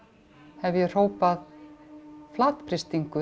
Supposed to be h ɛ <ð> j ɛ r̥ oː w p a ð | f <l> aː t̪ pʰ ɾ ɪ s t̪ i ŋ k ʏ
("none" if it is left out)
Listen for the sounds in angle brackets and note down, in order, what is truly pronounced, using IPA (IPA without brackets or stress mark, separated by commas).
v, l